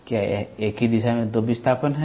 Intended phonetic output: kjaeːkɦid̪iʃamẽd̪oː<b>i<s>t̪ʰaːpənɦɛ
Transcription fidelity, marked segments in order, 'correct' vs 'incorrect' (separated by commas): correct, correct